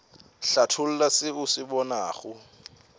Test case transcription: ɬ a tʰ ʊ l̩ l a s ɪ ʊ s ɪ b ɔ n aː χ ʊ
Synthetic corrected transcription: ɬ a tʰ ʊ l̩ l a s ɪ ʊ s ɪ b ɔ n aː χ ʊ

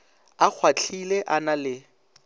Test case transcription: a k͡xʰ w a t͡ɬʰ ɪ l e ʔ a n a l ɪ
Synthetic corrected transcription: a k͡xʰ w a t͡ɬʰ i l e ʔ a n a l ɪ

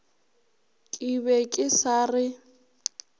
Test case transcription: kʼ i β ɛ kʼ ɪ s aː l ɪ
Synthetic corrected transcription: kʼ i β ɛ kʼ ɪ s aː r ɪ

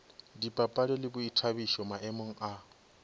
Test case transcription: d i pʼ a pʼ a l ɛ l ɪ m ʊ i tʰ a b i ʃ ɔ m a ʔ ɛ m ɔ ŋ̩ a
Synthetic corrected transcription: d i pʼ a pʼ a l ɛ l ɪ b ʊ i tʰ a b i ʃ ɔ m a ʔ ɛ m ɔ ŋ̩ a

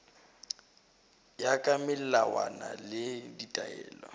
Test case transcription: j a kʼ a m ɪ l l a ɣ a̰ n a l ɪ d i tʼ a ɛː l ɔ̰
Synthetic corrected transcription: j a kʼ a m ɪ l l a w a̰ n a l ɪ d i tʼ a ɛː l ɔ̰

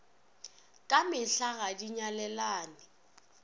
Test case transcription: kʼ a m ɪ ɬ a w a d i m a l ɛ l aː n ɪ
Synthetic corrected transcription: kʼ a m ɪ ɬ a ɣ a d i ɲ a l ɛ l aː n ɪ

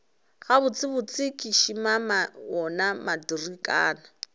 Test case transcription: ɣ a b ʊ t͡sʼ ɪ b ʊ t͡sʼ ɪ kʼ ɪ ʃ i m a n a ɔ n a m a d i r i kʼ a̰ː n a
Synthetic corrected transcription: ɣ a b ʊ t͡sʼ ɪ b ʊ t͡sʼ ɪ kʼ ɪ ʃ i m a m a ɔ n a m a d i r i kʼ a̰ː n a

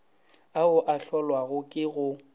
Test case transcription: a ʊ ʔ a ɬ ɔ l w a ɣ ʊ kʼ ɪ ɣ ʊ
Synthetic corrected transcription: a ʊ ʔ a ɬ ɔ l w a ɣ ʊ kʼ ɪ ɣ ʊ

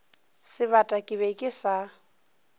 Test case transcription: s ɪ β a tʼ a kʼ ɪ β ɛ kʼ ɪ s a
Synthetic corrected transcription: s ɪ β a tʼ a kʼ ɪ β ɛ kʼ ɪ s a

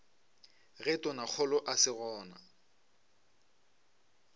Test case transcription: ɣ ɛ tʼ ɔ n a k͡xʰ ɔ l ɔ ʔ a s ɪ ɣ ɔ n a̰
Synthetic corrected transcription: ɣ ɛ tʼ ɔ n a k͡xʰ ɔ l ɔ ʔ a s ɪ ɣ ɔː n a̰

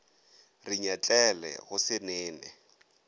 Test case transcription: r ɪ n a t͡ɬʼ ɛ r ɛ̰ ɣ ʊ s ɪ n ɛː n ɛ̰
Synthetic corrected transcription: r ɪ ɲ a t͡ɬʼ ɛ l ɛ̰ ɣ ʊ s ɪ n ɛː n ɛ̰

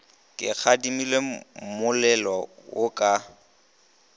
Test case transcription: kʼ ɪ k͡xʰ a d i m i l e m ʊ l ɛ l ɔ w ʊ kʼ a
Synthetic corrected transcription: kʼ ɪ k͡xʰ a d i m i l e m ʊ l ɛ l ɔ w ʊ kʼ a

